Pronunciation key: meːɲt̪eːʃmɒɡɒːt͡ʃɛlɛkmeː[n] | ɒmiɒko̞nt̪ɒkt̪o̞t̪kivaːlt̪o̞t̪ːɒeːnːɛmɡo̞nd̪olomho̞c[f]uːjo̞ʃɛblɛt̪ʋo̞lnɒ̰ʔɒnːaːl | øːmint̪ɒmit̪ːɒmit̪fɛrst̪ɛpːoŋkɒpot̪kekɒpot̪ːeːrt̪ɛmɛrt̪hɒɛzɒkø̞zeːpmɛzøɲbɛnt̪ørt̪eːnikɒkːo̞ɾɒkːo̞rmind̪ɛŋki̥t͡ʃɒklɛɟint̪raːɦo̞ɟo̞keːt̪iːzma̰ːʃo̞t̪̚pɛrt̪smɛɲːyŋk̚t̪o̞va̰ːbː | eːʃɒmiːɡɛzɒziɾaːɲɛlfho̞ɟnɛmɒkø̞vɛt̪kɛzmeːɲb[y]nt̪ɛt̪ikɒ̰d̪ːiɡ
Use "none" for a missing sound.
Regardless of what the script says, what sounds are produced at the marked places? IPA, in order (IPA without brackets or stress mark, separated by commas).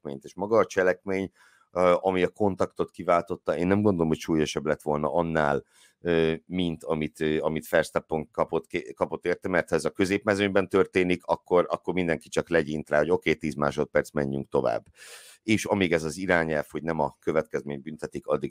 ɲ, ʃ, y